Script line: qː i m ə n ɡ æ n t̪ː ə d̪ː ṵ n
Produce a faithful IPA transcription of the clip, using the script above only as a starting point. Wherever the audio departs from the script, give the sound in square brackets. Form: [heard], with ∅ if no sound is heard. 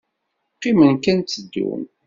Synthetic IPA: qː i m ə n [k] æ n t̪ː ə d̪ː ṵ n